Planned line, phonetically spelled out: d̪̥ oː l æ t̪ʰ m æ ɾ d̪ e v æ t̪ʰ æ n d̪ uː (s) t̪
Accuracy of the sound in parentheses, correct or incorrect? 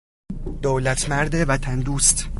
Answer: correct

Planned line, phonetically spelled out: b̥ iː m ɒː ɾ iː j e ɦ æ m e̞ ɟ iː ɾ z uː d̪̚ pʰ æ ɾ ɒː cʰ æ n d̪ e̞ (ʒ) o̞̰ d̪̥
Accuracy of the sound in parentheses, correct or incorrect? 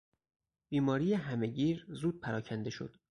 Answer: incorrect: ʃ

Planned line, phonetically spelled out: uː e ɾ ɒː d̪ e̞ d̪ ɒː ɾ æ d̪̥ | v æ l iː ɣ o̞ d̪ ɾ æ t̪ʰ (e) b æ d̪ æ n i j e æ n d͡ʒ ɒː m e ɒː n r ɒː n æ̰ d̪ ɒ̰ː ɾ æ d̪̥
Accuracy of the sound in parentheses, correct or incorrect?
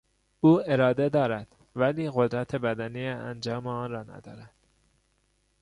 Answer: correct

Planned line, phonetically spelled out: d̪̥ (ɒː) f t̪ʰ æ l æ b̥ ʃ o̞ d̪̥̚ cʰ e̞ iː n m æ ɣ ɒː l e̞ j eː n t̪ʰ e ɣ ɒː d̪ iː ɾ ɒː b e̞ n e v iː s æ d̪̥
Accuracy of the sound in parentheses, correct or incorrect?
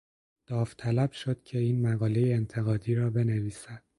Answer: correct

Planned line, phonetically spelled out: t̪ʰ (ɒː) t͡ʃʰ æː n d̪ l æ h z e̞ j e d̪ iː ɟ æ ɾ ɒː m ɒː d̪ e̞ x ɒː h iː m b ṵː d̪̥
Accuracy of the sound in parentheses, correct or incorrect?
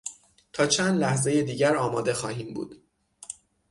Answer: correct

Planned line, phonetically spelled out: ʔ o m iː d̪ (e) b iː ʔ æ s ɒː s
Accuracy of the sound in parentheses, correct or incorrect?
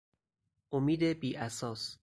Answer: correct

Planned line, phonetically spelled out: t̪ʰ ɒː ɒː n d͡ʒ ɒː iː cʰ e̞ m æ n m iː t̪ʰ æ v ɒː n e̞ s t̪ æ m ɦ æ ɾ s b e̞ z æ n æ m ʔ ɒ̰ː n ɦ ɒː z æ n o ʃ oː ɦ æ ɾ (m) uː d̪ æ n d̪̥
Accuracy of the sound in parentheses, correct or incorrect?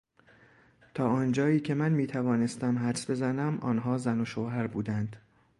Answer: incorrect: b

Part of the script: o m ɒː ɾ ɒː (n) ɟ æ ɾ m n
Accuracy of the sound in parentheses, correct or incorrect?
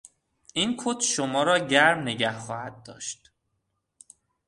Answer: incorrect: none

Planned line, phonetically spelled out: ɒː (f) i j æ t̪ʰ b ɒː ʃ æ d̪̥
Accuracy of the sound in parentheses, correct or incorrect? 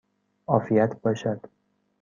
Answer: correct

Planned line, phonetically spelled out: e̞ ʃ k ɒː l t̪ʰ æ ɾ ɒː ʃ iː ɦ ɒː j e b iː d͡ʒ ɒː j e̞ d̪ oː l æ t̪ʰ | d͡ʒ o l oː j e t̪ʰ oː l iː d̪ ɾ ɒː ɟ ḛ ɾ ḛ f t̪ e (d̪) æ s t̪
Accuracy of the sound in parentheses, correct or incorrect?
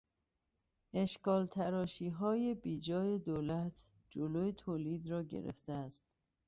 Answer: incorrect: none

